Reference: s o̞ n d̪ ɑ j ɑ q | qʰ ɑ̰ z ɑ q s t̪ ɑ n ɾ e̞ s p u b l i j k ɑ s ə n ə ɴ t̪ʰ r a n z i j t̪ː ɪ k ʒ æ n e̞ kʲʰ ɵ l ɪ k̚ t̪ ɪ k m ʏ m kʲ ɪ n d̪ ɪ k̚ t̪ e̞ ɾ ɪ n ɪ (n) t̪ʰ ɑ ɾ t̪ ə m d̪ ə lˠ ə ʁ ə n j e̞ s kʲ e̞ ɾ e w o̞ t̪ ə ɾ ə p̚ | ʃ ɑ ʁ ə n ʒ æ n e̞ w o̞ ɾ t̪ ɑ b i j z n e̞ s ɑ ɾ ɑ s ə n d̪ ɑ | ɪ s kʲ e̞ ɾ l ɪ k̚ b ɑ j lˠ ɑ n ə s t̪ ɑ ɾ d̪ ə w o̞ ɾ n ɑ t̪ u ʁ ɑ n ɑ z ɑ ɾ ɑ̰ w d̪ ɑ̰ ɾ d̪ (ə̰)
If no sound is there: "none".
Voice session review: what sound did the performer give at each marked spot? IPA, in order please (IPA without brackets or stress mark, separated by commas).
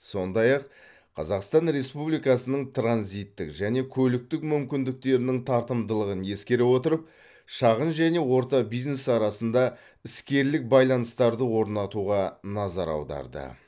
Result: ŋ, ə̰